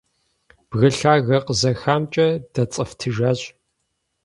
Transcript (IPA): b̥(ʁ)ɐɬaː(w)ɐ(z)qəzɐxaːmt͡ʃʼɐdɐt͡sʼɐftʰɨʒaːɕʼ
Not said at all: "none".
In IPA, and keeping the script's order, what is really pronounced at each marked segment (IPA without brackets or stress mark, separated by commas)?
ɣ, ɣ, none